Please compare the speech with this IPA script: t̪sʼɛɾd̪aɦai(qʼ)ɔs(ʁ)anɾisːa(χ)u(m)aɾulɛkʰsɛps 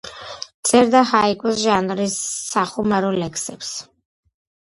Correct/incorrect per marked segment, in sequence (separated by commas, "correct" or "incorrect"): incorrect, incorrect, correct, correct